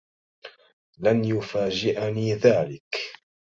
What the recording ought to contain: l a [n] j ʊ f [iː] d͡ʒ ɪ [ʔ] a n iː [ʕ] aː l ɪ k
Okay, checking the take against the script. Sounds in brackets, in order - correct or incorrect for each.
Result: correct, incorrect: aː, correct, incorrect: ð

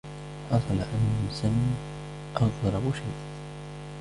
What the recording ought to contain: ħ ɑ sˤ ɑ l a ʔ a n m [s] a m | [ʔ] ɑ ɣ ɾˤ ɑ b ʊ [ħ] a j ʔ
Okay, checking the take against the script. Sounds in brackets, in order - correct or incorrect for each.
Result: correct, correct, incorrect: ʃ

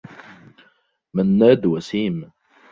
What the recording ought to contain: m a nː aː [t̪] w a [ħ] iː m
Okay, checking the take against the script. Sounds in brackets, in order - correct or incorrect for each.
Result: incorrect: d̪, incorrect: s

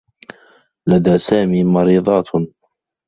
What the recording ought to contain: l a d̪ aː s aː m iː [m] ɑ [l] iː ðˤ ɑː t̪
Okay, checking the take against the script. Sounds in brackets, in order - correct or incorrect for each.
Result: correct, incorrect: ɾ

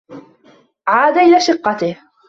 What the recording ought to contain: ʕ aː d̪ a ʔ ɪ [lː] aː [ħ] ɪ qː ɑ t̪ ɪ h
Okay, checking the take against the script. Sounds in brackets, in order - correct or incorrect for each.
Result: incorrect: l, incorrect: ʃ

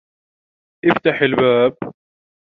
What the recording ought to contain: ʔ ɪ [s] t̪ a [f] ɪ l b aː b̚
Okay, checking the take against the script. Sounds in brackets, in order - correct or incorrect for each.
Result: incorrect: f, incorrect: ħ

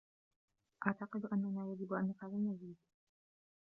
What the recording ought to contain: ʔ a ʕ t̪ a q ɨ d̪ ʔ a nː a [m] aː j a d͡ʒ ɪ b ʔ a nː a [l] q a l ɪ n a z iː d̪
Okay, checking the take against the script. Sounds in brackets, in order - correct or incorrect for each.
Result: incorrect: n, incorrect: none

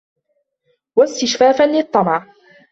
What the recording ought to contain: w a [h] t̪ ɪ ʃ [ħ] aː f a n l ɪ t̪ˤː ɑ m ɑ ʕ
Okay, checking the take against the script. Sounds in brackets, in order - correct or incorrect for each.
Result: incorrect: s, incorrect: f

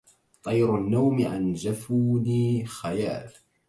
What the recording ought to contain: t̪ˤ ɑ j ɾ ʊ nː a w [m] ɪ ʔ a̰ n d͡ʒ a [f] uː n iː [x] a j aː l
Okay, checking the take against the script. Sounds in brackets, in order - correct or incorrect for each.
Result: correct, correct, correct

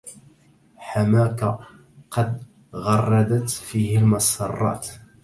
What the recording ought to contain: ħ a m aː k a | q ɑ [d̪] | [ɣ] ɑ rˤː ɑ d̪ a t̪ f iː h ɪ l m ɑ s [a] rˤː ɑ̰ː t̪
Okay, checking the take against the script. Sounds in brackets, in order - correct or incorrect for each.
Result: correct, correct, incorrect: ɑ

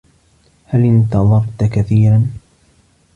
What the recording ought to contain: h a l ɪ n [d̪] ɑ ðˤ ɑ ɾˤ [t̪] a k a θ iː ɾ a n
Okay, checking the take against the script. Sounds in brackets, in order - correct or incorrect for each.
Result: incorrect: t̪, correct

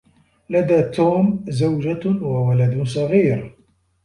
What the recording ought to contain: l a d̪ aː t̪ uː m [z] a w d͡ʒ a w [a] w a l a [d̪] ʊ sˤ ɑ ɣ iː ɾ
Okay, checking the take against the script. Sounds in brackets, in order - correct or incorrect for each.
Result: correct, correct, correct

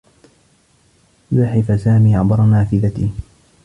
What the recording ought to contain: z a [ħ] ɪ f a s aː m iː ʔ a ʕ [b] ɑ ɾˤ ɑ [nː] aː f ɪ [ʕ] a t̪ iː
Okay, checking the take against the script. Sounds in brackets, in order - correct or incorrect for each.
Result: correct, correct, incorrect: n, incorrect: ð

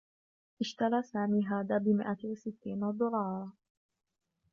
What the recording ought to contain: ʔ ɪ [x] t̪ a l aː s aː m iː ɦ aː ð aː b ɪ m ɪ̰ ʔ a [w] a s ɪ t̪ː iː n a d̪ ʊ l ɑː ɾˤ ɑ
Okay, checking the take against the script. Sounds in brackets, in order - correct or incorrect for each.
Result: incorrect: ʃ, correct

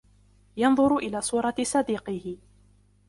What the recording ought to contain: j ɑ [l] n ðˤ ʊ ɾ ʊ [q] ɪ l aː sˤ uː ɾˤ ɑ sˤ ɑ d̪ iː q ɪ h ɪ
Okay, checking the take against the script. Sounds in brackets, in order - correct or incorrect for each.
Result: incorrect: none, incorrect: ʔ

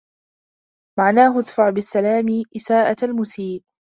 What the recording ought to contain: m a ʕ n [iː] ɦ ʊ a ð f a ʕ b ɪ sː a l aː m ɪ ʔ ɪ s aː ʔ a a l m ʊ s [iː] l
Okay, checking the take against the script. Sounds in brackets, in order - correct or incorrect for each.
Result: incorrect: aː, correct

